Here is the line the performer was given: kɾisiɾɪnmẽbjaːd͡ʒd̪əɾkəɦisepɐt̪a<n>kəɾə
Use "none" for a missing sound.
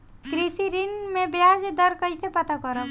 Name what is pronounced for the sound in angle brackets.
none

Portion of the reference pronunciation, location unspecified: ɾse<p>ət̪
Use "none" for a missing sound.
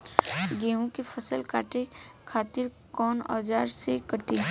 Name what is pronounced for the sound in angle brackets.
k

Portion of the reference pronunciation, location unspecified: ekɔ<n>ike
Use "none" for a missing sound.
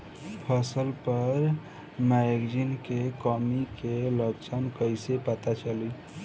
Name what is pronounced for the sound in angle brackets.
m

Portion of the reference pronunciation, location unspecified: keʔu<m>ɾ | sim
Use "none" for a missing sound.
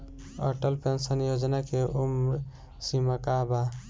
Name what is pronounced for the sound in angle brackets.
m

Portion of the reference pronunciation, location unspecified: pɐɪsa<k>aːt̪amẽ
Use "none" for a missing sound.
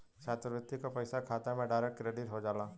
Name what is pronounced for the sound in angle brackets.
kʰ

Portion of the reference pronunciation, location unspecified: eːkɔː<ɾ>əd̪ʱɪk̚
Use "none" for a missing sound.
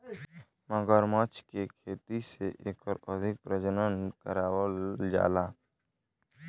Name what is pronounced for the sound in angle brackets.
ɾ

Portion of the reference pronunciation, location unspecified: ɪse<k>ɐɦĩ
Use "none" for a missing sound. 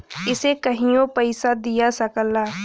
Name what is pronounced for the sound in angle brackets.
k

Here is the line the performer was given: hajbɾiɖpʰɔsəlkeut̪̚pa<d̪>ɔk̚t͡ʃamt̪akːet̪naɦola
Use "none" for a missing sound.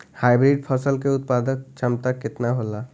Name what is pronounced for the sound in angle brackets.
d̪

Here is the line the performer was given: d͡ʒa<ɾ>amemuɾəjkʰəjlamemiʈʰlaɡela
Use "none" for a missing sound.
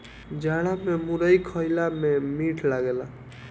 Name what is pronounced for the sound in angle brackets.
ɽ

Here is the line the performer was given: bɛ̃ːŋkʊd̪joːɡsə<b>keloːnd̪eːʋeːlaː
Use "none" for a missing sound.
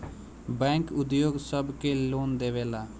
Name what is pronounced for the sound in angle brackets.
b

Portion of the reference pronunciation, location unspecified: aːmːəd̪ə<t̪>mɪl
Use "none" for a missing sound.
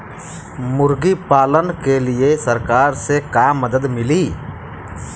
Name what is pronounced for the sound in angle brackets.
d̪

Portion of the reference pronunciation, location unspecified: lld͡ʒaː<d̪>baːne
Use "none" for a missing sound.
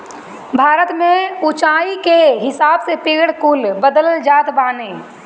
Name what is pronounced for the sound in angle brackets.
t̪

